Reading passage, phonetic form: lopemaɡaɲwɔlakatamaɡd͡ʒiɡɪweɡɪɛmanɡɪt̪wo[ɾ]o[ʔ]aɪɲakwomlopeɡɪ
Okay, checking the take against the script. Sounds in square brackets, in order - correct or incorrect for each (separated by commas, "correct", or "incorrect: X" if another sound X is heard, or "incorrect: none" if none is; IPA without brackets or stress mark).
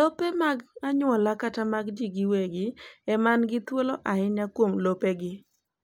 incorrect: l, correct